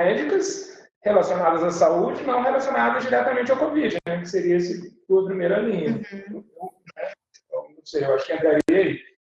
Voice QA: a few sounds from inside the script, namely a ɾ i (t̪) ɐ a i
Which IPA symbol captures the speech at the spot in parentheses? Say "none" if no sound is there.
none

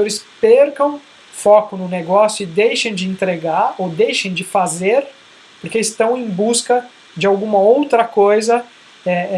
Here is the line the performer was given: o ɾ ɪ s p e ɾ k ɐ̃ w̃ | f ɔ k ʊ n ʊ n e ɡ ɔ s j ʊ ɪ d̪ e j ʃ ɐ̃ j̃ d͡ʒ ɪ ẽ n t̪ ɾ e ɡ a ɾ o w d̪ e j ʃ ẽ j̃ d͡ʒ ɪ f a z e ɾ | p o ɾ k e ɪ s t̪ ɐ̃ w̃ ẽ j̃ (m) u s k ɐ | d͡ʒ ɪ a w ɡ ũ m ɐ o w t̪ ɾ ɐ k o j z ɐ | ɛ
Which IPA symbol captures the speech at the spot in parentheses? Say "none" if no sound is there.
b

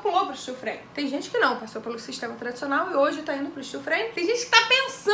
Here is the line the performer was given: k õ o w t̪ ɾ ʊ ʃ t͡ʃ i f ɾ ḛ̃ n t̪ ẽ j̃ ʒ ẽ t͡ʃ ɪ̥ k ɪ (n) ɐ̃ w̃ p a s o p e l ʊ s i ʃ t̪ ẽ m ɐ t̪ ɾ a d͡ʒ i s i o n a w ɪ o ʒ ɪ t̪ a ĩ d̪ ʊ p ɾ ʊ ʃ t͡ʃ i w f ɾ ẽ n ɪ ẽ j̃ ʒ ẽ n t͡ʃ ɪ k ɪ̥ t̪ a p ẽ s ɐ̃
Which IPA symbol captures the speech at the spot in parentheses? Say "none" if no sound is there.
n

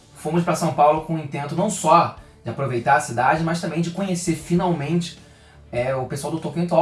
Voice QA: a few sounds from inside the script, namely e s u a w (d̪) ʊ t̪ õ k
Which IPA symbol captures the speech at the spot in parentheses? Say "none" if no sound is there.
d̪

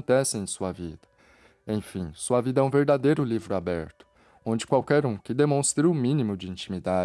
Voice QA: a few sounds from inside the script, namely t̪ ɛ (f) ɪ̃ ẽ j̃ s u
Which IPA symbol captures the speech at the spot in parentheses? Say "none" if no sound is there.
s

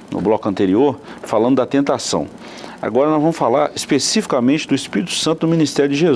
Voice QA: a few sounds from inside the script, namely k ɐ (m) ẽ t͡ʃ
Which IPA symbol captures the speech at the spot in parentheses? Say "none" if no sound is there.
m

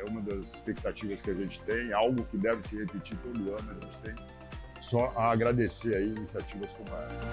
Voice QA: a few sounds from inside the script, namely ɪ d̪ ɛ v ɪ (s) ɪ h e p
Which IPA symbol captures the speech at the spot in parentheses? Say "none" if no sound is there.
s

